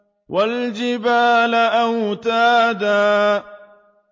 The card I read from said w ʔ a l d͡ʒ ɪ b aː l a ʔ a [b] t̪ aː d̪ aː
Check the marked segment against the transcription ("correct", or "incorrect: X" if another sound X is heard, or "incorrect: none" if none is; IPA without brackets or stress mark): incorrect: w